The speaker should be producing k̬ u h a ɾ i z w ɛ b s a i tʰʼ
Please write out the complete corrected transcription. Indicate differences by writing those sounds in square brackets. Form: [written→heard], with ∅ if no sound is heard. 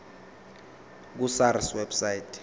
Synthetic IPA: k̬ u [h→s] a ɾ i [z→s] w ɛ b s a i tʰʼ